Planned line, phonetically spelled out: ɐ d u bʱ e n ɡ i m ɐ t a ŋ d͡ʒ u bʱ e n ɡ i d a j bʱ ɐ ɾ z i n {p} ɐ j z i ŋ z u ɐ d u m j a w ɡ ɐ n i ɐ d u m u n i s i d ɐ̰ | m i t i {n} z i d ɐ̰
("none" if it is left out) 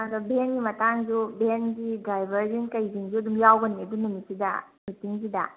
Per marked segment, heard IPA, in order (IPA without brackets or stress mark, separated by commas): k, ŋ